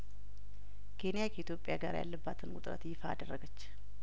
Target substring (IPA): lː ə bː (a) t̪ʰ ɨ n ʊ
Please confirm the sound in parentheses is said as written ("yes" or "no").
yes